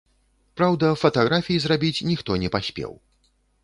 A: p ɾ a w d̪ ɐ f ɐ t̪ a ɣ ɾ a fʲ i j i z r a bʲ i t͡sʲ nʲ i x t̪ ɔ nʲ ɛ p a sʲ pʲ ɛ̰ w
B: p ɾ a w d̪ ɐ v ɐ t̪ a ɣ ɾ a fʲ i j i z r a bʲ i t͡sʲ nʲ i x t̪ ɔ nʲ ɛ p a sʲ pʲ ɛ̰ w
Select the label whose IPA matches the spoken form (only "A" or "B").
A